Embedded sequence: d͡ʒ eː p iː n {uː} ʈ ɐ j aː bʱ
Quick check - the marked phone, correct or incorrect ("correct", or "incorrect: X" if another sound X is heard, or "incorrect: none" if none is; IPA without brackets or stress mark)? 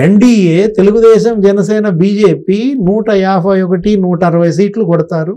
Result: correct